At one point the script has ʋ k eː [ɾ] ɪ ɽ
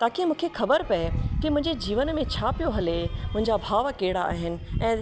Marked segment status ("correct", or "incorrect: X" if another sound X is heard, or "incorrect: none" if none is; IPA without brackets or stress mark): incorrect: none